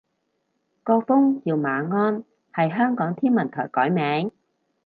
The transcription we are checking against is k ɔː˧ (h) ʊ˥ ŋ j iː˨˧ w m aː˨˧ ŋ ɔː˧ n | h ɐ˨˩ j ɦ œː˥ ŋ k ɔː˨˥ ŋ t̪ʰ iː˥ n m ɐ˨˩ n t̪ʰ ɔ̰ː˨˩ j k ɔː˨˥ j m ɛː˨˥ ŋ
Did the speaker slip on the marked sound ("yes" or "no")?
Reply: yes